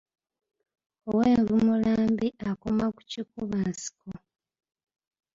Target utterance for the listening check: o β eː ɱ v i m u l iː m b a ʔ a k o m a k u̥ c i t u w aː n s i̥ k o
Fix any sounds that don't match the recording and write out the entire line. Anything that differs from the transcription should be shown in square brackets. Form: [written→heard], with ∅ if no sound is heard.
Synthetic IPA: o [β→w] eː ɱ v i m u l [iː→aː] m b [a→i] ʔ a k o m a k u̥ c i [t→k] u [w→β] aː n s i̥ k o